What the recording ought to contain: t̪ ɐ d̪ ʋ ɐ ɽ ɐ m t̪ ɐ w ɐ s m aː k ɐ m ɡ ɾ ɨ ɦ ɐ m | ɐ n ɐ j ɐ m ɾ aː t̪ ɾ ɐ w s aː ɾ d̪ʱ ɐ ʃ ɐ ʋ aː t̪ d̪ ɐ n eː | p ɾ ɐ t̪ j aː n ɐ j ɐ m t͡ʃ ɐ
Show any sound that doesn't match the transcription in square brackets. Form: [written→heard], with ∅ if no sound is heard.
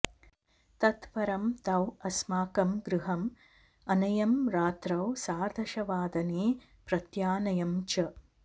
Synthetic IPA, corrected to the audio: t̪ ɐ [d̪→t̪] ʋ ɐ [ɽ→ɾ] ɐ m t̪ ɐ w ɐ s m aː k ɐ m ɡ ɾ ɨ ɦ ɐ m | ɐ n ɐ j ɐ m ɾ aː t̪ ɾ ɐ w s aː ɾ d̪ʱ ɐ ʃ ɐ ʋ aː [t̪→∅] d̪ ɐ n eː | p ɾ ɐ t̪ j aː n ɐ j ɐ m t͡ʃ ɐ